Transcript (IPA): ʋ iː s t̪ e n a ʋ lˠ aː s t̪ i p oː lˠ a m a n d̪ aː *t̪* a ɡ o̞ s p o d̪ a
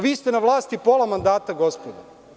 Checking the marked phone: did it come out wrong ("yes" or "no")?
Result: no